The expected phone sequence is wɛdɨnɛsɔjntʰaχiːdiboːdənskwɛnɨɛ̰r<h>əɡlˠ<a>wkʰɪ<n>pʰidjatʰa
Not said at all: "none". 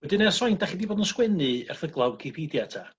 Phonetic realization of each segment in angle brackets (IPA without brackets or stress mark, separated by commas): θ, a, none